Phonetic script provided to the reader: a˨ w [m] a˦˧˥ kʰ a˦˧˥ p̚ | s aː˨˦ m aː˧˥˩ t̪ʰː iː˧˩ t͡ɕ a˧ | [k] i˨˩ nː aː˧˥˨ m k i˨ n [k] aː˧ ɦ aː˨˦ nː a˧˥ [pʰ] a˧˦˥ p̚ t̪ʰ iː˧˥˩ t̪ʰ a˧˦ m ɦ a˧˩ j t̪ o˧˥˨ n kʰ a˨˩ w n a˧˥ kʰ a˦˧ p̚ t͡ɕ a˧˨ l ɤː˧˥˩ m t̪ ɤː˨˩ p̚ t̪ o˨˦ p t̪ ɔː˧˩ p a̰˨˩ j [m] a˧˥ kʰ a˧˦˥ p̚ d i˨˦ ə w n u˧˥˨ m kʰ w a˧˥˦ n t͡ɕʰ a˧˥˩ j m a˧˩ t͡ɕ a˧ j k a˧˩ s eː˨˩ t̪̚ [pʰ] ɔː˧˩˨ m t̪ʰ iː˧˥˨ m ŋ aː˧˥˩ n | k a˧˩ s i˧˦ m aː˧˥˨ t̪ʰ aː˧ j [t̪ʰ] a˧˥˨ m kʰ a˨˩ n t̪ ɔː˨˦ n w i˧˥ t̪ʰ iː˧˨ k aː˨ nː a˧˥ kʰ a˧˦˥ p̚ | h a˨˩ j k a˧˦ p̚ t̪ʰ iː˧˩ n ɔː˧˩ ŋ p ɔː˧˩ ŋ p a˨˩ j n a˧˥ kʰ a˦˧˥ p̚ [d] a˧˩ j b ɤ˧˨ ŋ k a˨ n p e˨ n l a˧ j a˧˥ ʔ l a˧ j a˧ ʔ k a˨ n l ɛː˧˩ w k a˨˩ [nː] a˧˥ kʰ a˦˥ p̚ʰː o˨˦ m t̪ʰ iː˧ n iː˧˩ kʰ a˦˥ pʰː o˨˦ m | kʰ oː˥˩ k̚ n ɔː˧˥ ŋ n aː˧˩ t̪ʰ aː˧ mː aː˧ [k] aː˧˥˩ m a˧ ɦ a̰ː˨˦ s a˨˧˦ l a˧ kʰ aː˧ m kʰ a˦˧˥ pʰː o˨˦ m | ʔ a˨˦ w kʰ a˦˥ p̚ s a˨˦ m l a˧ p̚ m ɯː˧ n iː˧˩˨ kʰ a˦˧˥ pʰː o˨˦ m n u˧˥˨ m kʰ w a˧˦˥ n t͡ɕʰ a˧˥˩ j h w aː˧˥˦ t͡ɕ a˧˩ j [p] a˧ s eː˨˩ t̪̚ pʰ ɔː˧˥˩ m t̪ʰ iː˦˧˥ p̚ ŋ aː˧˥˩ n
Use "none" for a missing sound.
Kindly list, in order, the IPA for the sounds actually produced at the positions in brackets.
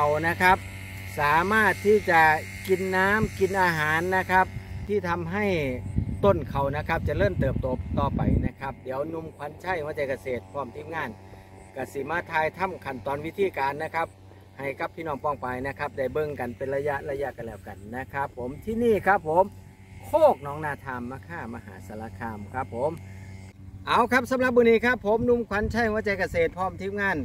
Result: n, k, ʔ, kʰ, n, pʰ, t̪ʰ, d, nː, kʰ, k

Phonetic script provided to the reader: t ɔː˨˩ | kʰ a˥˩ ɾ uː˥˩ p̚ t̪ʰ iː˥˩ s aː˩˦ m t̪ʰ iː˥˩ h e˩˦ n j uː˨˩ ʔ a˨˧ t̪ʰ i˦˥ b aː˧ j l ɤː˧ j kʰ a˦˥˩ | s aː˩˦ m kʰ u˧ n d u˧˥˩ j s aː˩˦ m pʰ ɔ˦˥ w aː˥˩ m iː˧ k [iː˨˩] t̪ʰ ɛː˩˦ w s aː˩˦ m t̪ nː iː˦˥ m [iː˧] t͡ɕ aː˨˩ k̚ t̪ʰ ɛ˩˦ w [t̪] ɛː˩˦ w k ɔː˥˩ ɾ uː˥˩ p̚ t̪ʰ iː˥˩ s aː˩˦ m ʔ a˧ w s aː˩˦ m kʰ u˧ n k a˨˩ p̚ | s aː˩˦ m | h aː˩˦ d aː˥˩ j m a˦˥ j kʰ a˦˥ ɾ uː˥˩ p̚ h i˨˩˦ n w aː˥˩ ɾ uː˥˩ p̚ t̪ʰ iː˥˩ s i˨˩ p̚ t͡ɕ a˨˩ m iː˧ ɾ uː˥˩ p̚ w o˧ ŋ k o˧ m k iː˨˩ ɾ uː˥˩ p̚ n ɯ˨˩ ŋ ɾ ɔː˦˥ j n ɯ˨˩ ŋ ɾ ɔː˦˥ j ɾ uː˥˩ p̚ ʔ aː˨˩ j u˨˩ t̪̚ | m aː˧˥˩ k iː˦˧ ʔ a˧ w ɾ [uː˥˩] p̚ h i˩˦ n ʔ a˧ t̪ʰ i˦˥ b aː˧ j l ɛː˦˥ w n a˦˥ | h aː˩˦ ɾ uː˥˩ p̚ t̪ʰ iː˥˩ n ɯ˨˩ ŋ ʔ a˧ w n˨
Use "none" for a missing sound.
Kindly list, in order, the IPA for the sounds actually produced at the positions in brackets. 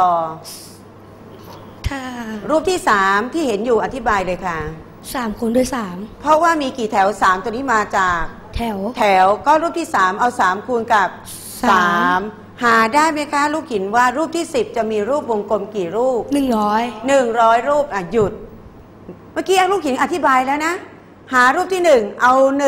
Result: iː˨˩, aː˧, t̪ʰ, uː˥˩

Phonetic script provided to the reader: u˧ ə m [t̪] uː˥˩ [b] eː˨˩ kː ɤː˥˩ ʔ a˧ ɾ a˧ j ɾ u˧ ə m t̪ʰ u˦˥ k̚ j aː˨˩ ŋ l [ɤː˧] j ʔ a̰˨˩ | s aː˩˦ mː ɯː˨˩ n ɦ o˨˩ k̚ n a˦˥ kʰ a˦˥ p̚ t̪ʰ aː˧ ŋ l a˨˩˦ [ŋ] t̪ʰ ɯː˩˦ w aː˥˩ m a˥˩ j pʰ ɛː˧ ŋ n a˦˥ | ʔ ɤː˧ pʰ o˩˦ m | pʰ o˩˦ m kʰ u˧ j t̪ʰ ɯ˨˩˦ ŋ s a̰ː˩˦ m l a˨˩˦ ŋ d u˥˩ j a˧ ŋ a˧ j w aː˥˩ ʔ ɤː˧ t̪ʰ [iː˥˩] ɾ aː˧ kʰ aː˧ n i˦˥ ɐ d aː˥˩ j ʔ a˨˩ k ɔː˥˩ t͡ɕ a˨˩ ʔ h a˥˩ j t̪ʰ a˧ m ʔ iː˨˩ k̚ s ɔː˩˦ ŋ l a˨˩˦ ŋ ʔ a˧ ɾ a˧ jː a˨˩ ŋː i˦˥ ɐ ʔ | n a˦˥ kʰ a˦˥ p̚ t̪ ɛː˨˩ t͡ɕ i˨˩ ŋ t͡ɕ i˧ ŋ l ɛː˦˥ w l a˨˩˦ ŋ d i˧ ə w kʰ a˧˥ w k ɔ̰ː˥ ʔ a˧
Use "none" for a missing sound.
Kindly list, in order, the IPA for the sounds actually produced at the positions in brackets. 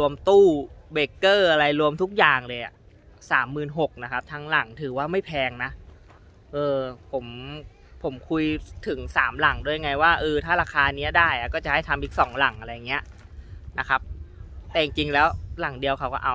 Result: t̪, b, ɤː˧, ŋ, aː˥˩

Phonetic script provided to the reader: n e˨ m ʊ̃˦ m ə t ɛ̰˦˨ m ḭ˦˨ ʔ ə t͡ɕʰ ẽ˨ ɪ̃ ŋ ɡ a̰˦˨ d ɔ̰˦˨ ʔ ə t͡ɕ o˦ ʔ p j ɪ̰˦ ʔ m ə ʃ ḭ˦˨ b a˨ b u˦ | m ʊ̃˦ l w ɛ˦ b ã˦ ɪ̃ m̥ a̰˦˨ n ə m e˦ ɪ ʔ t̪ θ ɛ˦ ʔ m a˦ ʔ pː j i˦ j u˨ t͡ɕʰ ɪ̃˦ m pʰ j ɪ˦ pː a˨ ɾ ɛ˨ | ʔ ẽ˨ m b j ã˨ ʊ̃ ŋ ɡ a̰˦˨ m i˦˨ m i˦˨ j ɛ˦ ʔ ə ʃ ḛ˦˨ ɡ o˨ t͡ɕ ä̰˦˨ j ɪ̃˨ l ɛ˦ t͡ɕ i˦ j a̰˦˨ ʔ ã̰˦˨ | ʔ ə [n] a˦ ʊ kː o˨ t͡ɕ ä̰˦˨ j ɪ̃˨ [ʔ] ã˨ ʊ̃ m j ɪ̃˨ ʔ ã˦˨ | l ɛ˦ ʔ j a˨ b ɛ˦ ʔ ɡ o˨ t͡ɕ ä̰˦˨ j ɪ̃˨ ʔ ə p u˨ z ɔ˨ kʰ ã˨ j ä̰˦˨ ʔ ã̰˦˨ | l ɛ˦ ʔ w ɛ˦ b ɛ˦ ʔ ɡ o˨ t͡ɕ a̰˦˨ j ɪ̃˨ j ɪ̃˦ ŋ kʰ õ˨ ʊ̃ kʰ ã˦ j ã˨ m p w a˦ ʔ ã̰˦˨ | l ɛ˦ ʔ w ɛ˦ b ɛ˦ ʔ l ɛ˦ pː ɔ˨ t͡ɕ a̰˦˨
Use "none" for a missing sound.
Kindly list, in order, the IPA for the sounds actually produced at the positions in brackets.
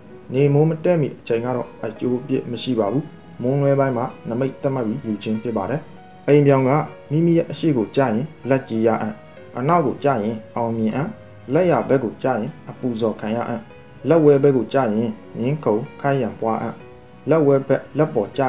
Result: n, ʔ

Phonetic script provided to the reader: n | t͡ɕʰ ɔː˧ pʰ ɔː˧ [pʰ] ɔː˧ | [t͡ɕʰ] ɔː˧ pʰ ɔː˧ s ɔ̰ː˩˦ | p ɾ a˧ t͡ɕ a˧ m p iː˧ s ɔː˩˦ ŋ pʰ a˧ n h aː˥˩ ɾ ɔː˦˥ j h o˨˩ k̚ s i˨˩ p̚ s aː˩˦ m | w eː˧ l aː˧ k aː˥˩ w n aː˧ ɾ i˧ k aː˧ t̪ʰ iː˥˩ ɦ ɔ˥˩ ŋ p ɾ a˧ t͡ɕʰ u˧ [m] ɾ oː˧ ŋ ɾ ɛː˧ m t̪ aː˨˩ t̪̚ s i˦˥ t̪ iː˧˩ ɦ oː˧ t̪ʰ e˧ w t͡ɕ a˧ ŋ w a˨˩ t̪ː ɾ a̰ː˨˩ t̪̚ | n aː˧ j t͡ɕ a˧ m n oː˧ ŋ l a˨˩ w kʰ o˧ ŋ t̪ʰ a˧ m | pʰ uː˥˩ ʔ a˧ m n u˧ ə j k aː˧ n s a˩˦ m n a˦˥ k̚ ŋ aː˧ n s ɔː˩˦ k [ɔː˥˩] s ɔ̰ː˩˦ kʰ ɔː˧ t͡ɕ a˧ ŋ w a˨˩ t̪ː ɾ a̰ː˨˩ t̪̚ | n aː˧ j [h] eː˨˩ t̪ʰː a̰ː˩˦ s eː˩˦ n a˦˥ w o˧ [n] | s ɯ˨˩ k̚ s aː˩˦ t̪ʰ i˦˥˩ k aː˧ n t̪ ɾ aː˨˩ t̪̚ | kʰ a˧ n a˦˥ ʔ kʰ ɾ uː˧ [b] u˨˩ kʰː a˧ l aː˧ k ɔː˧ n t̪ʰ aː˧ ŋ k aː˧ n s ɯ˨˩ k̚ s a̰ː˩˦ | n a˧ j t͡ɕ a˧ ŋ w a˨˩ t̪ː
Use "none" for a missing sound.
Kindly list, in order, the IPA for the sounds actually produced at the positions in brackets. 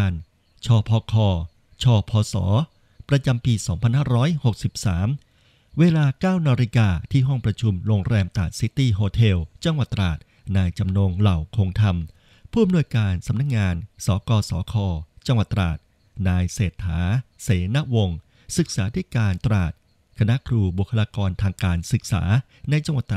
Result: kʰ, t͡ɕʰ, m, ɔː˧, s, ŋ, b

